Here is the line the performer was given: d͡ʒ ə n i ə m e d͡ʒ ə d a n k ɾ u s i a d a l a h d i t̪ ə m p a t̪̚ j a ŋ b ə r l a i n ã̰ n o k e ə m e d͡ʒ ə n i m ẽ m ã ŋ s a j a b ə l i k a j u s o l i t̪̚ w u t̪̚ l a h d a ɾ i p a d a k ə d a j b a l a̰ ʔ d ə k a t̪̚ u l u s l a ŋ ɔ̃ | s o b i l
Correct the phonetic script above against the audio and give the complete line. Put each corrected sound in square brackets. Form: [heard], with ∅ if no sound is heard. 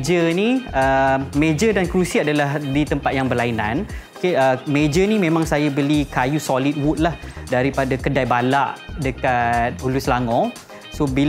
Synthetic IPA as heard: d͡ʒ ə n i ə m e d͡ʒ ə d a n k ɾ u s i a d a l a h d i t̪ ə m p a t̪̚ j a ŋ b ə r l a i n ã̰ n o k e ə m e d͡ʒ ə n i m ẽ m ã ŋ s a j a b ə l i k a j u s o l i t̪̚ w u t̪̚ l a h d a ɾ i p a d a k ə d a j b a l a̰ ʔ d ə k a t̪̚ u l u s l a ŋ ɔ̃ | s o b i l